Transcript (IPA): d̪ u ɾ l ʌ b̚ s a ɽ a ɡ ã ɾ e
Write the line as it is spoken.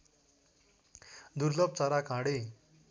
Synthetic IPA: d̪ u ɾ l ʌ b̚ t͡s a ɾ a k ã ɽ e